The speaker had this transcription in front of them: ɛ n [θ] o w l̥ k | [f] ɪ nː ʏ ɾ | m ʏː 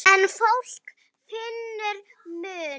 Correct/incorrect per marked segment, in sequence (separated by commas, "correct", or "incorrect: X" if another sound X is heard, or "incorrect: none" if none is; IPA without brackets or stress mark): incorrect: f, correct